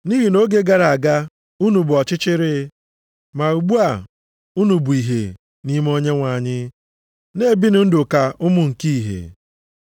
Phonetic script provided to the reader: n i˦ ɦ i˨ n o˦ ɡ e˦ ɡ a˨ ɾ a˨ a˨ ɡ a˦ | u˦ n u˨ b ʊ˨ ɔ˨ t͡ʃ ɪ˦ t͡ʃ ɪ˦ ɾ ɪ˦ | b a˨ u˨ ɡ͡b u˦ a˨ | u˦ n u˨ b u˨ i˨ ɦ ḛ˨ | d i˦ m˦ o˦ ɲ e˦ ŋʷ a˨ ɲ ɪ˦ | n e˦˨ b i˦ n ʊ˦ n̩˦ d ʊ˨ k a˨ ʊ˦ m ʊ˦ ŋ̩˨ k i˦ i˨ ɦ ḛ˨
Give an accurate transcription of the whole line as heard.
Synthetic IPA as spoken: n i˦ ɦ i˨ n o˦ ɡ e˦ ɡ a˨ ɾ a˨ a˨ ɡ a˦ | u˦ n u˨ b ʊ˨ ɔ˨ t͡ʃ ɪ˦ t͡ʃ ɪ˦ ɾ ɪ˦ | m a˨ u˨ ɡ͡b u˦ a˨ | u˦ n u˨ b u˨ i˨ ɦ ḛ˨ | n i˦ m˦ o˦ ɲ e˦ ŋʷ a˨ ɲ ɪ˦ | n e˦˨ b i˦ n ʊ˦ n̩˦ d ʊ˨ k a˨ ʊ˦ m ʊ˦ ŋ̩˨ k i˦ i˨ ɦ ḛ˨